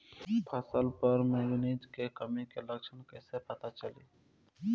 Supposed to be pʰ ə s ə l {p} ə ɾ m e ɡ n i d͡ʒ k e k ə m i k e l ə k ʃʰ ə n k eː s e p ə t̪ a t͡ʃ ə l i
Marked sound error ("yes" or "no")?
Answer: no